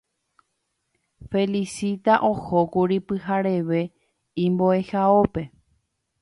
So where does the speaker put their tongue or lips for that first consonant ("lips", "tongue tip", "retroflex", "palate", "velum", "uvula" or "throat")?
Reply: lips